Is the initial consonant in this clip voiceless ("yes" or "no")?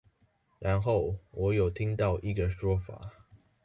no